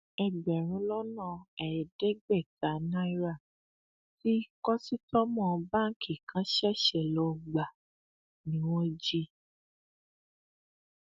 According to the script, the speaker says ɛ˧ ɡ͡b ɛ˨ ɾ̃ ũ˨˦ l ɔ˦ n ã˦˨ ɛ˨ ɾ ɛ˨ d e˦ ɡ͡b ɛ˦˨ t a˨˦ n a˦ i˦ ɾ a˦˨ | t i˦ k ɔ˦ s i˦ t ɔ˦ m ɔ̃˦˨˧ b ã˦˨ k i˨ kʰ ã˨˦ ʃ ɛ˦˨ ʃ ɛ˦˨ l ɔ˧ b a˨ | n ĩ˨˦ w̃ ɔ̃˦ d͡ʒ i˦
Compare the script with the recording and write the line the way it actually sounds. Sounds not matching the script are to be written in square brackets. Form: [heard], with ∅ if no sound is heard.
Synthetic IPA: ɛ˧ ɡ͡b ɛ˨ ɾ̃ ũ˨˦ l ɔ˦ n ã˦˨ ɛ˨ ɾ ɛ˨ d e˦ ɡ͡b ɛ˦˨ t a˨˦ n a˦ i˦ ɾ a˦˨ | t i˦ k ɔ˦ s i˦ t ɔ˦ m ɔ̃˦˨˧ b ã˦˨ k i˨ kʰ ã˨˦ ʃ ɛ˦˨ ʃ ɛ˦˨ l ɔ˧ [ɡ͡b] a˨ | n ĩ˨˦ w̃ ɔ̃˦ d͡ʒ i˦

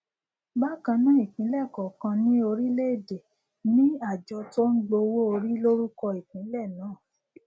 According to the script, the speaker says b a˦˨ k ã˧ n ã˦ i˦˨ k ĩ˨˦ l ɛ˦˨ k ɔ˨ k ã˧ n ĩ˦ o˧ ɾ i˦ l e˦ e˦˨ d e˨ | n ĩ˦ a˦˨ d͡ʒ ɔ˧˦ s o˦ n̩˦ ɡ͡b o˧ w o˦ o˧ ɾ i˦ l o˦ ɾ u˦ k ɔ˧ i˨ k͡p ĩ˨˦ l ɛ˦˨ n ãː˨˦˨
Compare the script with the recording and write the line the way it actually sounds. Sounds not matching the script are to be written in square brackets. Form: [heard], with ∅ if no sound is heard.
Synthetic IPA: b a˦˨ k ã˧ n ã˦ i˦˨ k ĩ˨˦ l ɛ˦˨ k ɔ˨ k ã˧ n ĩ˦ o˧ ɾ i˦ l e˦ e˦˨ d e˨ | n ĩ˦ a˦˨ d͡ʒ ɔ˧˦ [t] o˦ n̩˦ ɡ͡b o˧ w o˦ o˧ ɾ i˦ l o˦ ɾ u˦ k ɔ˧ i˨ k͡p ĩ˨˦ l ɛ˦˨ n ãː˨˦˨

